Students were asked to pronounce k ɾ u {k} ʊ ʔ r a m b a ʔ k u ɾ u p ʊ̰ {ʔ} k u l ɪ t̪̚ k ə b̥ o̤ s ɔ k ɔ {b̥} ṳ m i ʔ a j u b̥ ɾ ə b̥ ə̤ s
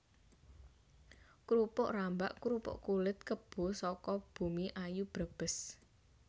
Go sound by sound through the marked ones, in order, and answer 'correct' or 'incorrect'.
incorrect: p, correct, correct

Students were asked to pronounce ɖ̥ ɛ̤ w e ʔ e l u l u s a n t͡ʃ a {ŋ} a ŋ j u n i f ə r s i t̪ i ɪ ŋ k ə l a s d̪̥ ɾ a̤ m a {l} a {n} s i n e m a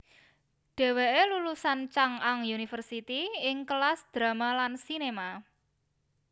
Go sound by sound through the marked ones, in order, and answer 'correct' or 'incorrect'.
correct, correct, correct

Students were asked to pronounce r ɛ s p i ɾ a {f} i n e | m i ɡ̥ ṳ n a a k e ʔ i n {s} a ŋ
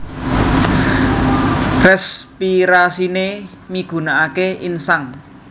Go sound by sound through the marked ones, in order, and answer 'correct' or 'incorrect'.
incorrect: s, correct

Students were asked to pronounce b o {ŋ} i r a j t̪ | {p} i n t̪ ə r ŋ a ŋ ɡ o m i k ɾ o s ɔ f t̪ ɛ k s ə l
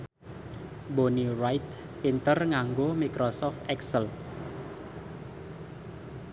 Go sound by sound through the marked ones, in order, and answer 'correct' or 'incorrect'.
incorrect: n, correct

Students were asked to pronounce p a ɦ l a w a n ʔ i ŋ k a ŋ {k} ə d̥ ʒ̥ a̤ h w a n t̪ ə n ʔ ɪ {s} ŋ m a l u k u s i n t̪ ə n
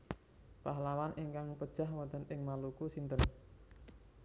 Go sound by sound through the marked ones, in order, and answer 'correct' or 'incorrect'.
incorrect: p, incorrect: none

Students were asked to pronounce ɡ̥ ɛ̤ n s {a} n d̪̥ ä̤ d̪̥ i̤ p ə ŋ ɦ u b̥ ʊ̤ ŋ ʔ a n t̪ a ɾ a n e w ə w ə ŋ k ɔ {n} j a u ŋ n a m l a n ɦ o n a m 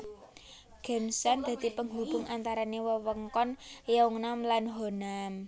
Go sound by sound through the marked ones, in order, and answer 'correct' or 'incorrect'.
correct, correct

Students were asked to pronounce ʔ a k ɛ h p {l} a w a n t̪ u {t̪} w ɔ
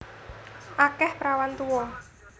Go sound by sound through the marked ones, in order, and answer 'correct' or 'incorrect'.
incorrect: ɾ, incorrect: none

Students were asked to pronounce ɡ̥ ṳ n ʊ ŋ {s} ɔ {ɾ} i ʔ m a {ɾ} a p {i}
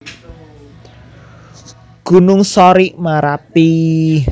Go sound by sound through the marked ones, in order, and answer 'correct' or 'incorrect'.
correct, correct, correct, correct

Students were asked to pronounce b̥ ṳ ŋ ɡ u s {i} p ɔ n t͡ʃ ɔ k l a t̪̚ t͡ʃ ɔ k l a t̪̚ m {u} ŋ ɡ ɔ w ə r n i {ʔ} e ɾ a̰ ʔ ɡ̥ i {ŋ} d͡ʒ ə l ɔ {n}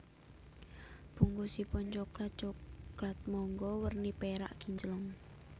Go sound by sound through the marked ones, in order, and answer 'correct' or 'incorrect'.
correct, incorrect: ɔ, incorrect: p, incorrect: ɲ, incorrect: ŋ

